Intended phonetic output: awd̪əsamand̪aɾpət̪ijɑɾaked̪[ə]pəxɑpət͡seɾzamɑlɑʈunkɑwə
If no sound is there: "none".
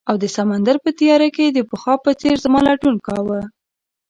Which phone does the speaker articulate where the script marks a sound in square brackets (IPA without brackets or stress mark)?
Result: ə